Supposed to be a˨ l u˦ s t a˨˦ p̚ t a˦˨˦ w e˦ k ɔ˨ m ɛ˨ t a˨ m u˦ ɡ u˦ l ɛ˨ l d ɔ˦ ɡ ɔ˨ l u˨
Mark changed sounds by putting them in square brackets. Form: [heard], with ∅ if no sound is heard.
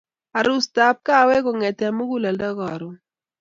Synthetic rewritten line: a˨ [ɾ] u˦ s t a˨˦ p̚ [k] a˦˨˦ w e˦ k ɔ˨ [ŋ] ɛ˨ t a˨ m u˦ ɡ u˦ l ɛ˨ l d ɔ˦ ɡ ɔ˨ [ɾ] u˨